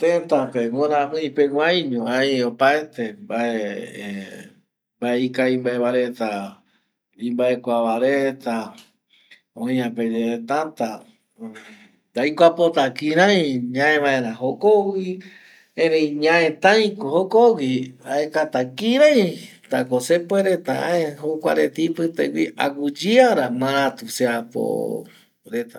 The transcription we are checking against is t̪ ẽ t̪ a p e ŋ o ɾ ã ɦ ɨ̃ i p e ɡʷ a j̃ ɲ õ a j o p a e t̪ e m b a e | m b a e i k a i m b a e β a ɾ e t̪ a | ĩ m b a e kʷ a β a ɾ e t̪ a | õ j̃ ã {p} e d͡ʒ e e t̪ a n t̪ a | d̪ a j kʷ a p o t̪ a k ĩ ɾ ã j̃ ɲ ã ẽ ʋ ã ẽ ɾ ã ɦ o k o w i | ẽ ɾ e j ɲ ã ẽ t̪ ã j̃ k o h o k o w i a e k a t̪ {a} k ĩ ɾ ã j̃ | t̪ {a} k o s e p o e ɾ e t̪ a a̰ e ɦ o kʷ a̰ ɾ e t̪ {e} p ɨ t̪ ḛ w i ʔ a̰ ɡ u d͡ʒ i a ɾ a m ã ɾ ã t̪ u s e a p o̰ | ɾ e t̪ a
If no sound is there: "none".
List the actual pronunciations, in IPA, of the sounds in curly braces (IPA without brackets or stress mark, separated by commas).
p, a, a, i